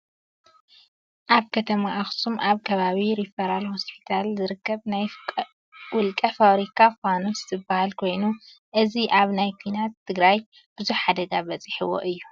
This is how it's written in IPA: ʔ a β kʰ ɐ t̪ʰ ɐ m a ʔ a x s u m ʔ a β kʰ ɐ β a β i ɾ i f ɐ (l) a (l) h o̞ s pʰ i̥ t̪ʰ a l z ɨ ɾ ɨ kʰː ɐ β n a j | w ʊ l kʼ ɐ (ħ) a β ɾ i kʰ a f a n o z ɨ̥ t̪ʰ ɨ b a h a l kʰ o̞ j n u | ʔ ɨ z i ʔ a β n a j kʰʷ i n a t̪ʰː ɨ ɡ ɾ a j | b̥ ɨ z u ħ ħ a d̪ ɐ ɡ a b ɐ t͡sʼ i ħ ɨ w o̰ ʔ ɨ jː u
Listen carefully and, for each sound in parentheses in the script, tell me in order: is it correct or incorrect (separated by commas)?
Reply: incorrect, correct, incorrect